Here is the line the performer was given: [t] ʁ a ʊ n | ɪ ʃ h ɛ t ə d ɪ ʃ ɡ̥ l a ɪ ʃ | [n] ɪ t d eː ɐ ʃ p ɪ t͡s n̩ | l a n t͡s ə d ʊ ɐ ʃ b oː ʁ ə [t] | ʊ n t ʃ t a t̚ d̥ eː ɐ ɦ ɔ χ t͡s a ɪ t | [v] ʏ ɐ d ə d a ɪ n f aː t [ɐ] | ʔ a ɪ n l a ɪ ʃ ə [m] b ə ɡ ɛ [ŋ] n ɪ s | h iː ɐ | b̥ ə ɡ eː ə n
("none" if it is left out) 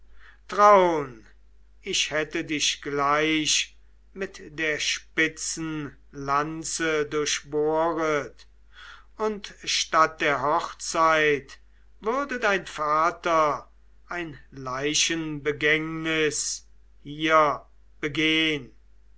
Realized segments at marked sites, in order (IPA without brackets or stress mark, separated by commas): t, m, t, v, ɐ, n, ŋ